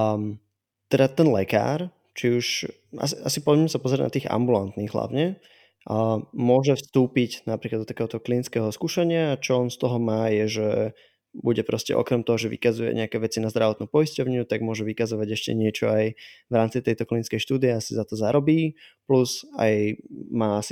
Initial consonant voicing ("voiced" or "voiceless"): voiceless